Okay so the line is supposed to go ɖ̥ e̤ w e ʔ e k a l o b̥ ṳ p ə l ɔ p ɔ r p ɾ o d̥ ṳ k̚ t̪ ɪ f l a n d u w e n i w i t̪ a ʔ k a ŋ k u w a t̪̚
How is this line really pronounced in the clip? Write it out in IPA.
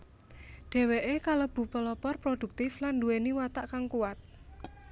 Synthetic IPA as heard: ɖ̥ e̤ w e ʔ e k a l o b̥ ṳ p ə l ɔ p ɔ r p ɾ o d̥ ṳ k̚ t̪ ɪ f l a n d u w e n i w a t̪ a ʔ k a ŋ k u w a t̪̚